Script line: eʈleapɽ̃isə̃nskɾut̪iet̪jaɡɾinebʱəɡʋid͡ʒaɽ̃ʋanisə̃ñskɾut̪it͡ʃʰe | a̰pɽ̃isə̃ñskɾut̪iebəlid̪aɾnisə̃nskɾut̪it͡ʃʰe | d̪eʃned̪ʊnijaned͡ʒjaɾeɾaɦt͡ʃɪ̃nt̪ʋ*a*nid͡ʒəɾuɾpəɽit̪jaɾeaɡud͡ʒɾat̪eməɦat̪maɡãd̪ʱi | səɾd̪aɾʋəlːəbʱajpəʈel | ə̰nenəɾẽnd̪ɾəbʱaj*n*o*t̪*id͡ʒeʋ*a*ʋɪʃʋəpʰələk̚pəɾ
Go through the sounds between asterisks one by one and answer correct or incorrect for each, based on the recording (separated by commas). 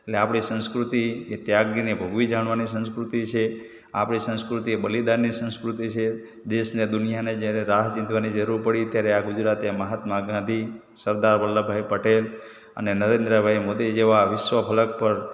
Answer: correct, incorrect, incorrect, correct